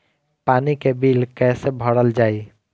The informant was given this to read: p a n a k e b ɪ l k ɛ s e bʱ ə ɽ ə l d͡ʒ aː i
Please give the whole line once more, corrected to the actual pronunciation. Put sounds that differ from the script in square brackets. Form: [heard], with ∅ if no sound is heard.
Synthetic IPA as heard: p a n [i] k e b [i] l k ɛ s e bʱ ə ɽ ə l d͡ʒ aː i